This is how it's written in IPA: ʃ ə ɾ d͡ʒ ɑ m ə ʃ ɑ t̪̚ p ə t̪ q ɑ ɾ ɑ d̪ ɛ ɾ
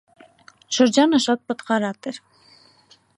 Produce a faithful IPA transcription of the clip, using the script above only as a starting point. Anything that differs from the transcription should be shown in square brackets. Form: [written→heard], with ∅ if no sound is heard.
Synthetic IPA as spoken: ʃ ə ɾ d͡ʒ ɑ [m→n] ə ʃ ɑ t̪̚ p ə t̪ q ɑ ɾ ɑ [d̪→t̪] ɛ ɾ